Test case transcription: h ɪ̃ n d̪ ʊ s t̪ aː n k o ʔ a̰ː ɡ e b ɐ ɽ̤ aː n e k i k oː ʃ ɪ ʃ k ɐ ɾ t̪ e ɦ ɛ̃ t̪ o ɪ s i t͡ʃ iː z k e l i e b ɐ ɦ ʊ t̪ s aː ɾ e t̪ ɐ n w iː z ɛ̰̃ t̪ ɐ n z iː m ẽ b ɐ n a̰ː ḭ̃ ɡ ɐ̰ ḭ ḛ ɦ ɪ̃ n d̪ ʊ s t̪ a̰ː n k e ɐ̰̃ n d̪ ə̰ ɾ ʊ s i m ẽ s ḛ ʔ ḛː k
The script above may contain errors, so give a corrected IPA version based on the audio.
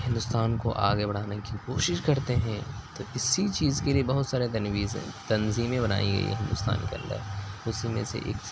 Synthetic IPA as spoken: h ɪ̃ n d̪ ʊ s t̪ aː n k o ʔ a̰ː ɡ e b ɐ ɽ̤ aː n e k i k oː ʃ ɪ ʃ k ɐ ɾ t̪ e ɦ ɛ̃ t̪ o ɪ s i t͡ʃ iː z k e l i e b ɐ ɦ ʊ t̪ s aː ɾ e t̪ ɐ n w iː z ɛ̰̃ t̪ ɐ n z iː m ẽ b ɐ n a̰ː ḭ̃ ɡ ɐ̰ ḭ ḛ ɦ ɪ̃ n d̪ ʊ s t̪ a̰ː n k e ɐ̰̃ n d̪ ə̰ ɾ ʊ s i m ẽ s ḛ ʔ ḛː k

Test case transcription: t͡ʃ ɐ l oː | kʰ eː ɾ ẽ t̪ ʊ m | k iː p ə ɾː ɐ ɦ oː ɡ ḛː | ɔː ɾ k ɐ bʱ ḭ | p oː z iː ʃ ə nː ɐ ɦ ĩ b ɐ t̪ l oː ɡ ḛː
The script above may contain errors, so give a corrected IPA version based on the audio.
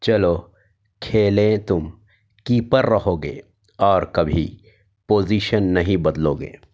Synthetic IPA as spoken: t͡ʃ ɐ l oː | kʰ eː l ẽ t̪ ʊ m | k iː p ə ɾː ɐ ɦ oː ɡ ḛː | ɔː ɾ k ɐ bʱ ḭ | p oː z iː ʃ ə nː ɐ ɦ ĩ b ɐ d̪ l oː ɡ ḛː

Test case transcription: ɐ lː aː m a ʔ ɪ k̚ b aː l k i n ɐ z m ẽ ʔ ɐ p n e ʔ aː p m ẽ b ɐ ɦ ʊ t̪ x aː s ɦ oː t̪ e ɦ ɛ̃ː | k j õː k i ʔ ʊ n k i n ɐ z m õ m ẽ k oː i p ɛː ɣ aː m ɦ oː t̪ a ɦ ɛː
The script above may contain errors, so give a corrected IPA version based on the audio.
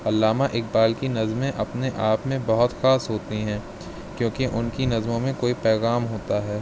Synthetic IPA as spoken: ɐ lː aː m a ʔ ɪ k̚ b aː l k i n ɐ z m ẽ ʔ ɐ p n e ʔ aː p m ẽ b ɐ ɦ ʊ t̪ x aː s ɦ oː t̪ i ɦ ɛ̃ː | k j õː k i ʔ ʊ n k i n ɐ z m õ m ẽ k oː i p ɛː ɣ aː m ɦ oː t̪ a ɦ ɛː

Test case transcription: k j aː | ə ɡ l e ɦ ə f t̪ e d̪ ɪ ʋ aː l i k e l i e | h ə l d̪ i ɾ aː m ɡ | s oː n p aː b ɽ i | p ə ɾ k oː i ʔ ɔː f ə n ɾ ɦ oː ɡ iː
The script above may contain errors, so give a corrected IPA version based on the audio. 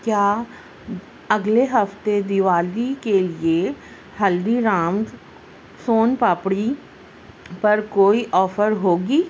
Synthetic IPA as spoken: k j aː | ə ɡ l e ɦ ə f t̪ e d̪ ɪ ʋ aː l i k e l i e | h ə l d̪ i ɾ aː m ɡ | s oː n p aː p ɽ i | p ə ɾ k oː i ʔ ɔː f ə ɾ ɦ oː ɡ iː

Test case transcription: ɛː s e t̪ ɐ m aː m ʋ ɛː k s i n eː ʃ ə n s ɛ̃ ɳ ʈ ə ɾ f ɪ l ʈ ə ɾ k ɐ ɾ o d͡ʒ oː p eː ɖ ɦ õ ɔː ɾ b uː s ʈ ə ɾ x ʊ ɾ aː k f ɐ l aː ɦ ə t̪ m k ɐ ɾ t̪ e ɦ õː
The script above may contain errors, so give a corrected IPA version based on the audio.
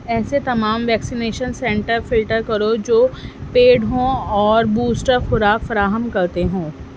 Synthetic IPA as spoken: ɛː s e t̪ ɐ m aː m ʋ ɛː k s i n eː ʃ ə n s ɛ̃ ɳ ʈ ə ɾ f ɪ l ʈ ə ɾ k ɐ ɾ o d͡ʒ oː p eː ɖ ɦ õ ɔː ɾ b uː s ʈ ə ɾ x ʊ ɾ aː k f ɐ ɾ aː ɦ ə m k ɐ ɾ t̪ e ɦ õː

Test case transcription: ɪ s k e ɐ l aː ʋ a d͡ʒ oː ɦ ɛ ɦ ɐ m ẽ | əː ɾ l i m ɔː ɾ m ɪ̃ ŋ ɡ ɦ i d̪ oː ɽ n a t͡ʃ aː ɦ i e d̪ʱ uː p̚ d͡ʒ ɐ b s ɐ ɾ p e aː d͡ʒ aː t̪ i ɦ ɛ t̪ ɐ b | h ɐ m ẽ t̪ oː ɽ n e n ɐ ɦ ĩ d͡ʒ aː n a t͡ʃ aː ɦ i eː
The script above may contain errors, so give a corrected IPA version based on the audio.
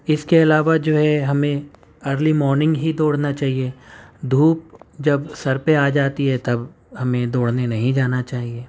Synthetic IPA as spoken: ɪ s k e ɐ l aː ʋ a d͡ʒ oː ɦ ɛ ɦ ɐ m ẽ | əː ɾ l i m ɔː ɾ n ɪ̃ ŋ ɡ ɦ i d̪ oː ɽ n a t͡ʃ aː ɦ i e d̪ʱ uː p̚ d͡ʒ ɐ b s ɐ ɾ p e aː d͡ʒ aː t̪ i ɦ ɛ t̪ ɐ b | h ɐ m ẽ d̪ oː ɽ n e n ɐ ɦ ĩ d͡ʒ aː n a t͡ʃ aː ɦ i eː

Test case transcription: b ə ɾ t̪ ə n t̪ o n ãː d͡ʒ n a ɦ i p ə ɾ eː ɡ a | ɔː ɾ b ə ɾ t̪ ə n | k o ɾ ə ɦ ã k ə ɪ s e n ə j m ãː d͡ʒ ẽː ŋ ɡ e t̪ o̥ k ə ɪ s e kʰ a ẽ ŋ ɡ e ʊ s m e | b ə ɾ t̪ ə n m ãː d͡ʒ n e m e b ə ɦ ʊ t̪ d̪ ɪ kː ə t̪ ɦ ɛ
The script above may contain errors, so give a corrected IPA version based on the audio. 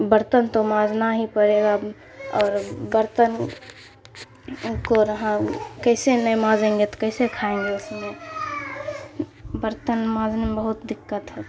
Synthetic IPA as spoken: b ə ɾ t̪ ə n t̪ o m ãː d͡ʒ n a ɦ i p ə ɾ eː ɡ a | ɔː ɾ b ə ɾ t̪ ə n | k o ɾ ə ɦ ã k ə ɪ s e n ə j m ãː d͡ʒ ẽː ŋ ɡ e t̪ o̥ k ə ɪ s e kʰ a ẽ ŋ ɡ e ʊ s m e | b ə ɾ t̪ ə n m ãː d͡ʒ n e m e b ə ɦ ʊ t̪ d̪ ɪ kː ə t̪ ɦ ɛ

